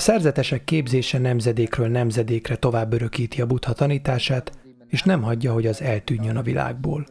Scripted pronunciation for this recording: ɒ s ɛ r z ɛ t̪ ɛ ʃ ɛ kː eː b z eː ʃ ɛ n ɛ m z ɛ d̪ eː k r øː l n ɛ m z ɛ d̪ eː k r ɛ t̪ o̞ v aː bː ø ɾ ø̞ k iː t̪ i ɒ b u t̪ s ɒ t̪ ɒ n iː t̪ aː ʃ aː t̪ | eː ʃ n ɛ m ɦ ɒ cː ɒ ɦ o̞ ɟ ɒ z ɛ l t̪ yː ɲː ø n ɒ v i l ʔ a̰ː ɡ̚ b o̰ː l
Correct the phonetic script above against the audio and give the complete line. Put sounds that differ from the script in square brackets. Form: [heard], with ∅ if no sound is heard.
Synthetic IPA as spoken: ɒ s ɛ r z ɛ t̪ ɛ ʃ ɛ kː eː b z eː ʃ ɛ n ɛ m z ɛ d̪ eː k r øː l n ɛ m z ɛ d̪ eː k r ɛ t̪ o̞ v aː bː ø ɾ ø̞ k iː t̪ i ɒ b u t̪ [h] ɒ t̪ ɒ n iː t̪ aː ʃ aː t̪ | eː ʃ n ɛ m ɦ ɒ [ɟː] ɒ ɦ o̞ ɟ ɒ z ɛ l t̪ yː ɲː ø n ɒ v i l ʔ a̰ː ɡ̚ b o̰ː l